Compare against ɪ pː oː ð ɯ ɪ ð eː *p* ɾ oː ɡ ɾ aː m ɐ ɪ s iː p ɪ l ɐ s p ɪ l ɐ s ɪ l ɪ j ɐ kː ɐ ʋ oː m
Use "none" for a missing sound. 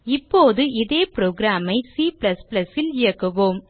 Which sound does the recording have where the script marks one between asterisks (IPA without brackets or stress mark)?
p